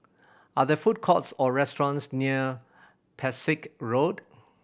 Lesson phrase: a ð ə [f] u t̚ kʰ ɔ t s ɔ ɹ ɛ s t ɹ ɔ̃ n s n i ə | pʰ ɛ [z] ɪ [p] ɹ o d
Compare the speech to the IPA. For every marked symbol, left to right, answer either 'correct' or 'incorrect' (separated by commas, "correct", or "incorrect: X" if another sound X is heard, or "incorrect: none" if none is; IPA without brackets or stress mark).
correct, incorrect: s, incorrect: k